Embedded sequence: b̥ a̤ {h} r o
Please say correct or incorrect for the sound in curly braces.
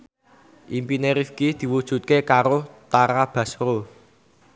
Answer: incorrect